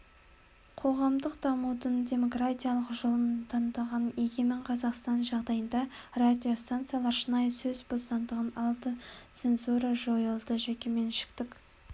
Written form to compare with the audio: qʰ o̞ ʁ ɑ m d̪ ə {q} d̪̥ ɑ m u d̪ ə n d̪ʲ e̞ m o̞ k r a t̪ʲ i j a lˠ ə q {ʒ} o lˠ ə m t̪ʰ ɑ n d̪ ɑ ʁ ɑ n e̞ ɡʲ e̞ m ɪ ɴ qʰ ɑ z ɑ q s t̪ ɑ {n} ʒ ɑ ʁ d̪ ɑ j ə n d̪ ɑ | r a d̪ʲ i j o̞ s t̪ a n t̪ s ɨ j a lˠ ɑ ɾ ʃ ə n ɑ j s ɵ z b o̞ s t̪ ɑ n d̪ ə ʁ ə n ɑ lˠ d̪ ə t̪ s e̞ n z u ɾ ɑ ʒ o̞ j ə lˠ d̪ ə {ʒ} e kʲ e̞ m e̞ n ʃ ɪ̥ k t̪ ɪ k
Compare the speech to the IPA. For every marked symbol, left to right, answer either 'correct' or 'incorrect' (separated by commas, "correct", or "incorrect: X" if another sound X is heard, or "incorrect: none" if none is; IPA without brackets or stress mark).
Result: correct, correct, correct, correct